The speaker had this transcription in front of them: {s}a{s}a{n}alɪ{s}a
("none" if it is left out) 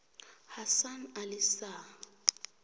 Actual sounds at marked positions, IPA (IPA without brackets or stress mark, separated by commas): h, s, n, s